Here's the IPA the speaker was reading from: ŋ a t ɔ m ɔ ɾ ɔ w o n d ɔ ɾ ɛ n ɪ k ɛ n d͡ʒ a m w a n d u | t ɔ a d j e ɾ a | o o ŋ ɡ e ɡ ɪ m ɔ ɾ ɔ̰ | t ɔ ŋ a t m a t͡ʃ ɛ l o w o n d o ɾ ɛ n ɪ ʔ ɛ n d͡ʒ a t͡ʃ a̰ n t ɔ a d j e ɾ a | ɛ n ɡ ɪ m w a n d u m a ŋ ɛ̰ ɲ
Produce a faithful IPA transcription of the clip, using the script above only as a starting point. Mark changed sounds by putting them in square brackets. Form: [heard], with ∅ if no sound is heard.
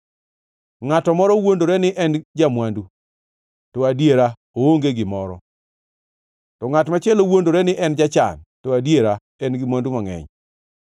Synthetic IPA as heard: ŋ a t ɔ m ɔ ɾ ɔ w o n d [o] ɾ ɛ n ɪ [ʔ] ɛ n d͡ʒ a m w a n d u | t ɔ a d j e ɾ a | o o ŋ ɡ e ɡ ɪ m ɔ ɾ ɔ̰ | t ɔ ŋ a t m a t͡ʃ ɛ l o w o n d o ɾ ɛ n ɪ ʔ ɛ n d͡ʒ a t͡ʃ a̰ n t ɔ a d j e ɾ a | ɛ n ɡ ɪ m w a n d u m a ŋ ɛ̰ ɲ

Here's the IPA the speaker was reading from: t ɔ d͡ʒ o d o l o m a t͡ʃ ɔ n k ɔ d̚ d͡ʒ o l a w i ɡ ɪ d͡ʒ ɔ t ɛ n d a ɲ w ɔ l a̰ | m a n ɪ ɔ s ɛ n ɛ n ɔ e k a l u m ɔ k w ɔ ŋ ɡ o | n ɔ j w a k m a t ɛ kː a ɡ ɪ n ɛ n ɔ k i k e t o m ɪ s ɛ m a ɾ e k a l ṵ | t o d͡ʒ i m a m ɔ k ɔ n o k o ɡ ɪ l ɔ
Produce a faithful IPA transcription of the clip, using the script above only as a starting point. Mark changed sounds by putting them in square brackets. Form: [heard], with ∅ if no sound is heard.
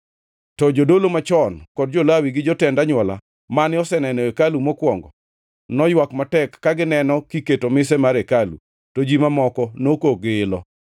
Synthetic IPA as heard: t ɔ d͡ʒ o d o l o m a t͡ʃ ɔ n k ɔ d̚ d͡ʒ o l a w i ɡ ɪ d͡ʒ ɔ t ɛ n d a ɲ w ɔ l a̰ | m a n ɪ ɔ s ɛ n ɛ n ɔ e k a l u m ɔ k w ɔ ŋ ɡ [ɔ] | n ɔ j w a k m a t ɛ kː a ɡ ɪ n ɛ n ɔ k i k e t o m ɪ s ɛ m a ɾ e k a l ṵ | t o d͡ʒ i m a m ɔ k ɔ n o k o ɡ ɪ l ɔ

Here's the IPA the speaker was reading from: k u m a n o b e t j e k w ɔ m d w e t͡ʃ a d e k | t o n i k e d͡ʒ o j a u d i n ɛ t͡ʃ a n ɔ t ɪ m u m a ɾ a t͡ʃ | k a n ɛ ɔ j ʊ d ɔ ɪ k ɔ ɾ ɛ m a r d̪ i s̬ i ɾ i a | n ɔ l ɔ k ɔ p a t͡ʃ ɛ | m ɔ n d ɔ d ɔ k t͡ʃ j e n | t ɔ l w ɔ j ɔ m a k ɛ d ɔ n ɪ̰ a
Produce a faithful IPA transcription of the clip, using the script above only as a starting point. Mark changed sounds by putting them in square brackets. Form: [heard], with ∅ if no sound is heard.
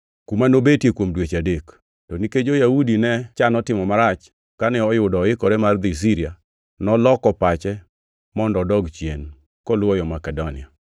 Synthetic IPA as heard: k u m a n o b e t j e k w [o] m d w e t͡ʃ a d e k | t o n i k e d͡ʒ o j a u d i n ɛ t͡ʃ a n ɔ t ɪ m [ɔ] m a ɾ a t͡ʃ | k a n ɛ ɔ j ʊ d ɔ ɪ k ɔ ɾ ɛ m a r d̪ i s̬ i ɾ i a | n ɔ l ɔ k ɔ p a t͡ʃ ɛ | m ɔ n d ɔ d ɔ [ɡ] t͡ʃ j e n | [k] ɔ l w ɔ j ɔ m a k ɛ d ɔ n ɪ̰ a

